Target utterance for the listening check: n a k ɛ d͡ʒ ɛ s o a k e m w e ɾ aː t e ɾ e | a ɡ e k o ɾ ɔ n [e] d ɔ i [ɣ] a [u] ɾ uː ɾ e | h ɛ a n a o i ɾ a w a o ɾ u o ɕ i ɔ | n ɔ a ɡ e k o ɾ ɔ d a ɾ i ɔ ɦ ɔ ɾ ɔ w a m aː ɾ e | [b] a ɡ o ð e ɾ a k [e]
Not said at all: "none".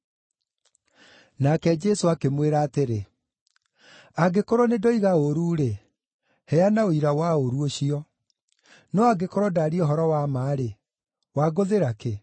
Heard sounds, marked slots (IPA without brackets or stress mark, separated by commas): e, ɣ, o, w, e